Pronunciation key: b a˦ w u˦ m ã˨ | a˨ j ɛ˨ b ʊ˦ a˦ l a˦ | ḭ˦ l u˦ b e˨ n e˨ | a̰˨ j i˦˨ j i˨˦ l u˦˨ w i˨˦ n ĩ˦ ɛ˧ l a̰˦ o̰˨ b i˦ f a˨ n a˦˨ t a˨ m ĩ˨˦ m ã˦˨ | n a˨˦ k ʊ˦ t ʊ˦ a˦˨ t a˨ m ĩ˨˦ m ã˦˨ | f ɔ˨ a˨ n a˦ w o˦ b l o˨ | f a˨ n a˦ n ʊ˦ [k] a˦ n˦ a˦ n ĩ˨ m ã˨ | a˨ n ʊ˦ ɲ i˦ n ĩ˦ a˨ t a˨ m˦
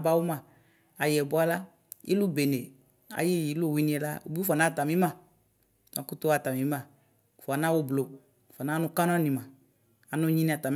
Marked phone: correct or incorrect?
correct